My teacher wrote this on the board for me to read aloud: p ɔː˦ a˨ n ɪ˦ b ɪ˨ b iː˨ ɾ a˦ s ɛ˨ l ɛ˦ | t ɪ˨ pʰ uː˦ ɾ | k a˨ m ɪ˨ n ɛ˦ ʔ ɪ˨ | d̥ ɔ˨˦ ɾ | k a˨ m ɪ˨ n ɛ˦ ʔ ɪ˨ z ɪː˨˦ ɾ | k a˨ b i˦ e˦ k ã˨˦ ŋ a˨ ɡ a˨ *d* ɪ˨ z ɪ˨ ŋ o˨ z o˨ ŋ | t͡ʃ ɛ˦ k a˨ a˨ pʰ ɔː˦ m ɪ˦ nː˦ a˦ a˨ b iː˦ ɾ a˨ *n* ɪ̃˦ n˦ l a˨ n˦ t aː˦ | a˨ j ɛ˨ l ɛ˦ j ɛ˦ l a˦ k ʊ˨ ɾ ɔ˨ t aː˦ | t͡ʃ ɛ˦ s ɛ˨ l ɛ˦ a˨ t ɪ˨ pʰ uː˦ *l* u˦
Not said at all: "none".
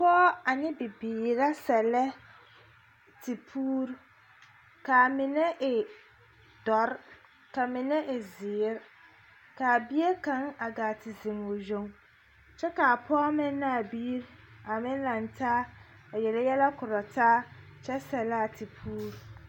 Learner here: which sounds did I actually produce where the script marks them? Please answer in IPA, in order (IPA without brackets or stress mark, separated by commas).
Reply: t, m, ɾ